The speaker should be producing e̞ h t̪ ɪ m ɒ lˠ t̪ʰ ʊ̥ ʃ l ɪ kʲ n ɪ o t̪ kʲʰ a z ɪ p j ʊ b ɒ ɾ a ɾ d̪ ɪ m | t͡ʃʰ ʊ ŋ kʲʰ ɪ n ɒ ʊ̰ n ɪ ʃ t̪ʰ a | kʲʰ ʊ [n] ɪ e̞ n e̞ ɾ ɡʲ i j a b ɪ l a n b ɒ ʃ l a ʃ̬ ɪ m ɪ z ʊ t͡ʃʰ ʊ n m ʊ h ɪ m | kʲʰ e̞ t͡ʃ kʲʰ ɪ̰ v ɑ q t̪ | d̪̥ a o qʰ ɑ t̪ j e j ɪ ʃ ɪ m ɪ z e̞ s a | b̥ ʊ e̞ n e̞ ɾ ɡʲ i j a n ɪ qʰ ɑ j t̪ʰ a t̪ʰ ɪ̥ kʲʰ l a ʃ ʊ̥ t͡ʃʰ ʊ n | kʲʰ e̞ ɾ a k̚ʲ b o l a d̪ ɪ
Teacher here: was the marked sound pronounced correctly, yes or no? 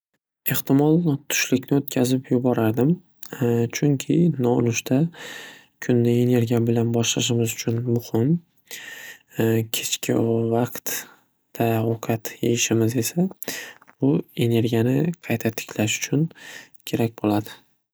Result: no